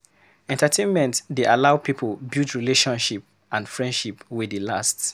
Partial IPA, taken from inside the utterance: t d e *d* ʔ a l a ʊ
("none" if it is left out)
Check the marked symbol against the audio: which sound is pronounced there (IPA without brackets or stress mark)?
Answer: none